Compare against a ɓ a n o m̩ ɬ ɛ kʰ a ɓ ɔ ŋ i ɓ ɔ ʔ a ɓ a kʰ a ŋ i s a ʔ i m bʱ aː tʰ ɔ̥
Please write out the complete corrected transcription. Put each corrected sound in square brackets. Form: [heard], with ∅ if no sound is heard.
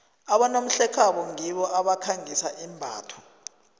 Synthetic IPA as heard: a ɓ a n o m̩ ɬ ɛ kʰ a ɓ ɔ ŋ i ɓ ɔ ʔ a ɓ a kʰ a ŋ i s a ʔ i m bʱ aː tʰ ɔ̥